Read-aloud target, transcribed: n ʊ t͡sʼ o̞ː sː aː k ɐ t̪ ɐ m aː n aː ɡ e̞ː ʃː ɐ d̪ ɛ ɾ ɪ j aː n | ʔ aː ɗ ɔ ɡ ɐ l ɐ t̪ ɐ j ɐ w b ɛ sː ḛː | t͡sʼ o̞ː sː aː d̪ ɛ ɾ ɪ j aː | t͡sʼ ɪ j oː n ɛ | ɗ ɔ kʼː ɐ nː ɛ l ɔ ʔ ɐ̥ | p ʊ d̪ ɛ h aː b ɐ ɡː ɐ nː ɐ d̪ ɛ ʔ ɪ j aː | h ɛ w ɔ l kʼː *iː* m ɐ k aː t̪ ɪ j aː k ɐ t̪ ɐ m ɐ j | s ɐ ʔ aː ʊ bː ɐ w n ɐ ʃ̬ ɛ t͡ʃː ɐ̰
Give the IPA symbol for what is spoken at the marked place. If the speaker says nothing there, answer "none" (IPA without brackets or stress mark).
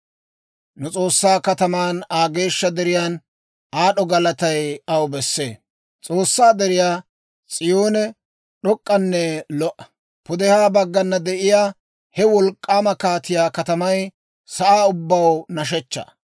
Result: aː